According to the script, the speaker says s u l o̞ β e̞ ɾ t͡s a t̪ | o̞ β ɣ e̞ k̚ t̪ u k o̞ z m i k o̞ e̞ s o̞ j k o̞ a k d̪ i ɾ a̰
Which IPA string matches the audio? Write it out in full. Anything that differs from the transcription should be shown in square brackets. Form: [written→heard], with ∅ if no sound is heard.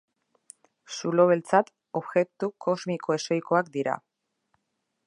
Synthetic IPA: s u l o̞ β e̞ [ɾ→l] t͡s a t̪ | o̞ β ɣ e̞ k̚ t̪ u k o̞ z m i k o̞ e̞ s o̞ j k o̞ a k d̪ i ɾ a̰

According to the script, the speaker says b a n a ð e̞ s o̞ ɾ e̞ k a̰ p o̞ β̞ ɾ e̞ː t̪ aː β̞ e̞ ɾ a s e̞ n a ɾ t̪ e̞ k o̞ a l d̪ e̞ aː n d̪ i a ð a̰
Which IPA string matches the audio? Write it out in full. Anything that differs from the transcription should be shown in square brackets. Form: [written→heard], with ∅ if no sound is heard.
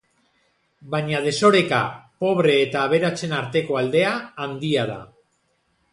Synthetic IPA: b a [n→ɲ] a ð e̞ s o̞ ɾ e̞ k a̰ p o̞ β̞ ɾ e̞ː t̪ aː β̞ e̞ ɾ a [s→t͡s] e̞ n a ɾ t̪ e̞ k o̞ a l d̪ e̞ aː n d̪ i a ð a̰

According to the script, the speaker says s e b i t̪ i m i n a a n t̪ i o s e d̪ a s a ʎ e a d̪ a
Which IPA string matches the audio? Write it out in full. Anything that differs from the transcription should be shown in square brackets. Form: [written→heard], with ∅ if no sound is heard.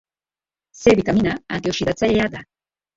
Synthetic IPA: s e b i t̪ [i→a] m i n a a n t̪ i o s [e→i] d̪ a [s→t͡s] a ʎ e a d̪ a

